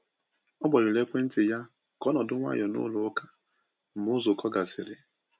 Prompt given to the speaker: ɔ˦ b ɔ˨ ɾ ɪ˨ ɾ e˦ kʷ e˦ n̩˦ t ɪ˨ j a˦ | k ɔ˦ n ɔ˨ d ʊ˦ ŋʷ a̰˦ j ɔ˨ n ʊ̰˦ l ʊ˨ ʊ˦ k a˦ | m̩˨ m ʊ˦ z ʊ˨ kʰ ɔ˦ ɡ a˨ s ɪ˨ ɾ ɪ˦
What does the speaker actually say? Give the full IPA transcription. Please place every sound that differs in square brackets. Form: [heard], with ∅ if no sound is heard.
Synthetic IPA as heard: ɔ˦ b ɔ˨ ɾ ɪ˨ [l] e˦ kʷ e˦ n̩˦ t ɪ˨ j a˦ | k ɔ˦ n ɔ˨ d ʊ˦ ŋʷ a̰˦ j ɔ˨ n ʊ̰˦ l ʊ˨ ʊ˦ k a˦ | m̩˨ m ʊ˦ z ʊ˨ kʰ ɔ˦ ɡ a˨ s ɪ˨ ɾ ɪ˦